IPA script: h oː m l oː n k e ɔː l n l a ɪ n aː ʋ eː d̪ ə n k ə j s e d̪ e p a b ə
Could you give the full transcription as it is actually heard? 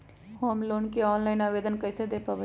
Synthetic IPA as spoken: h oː m l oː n k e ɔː n l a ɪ n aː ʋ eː d̪ ə n k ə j s e d̪ e p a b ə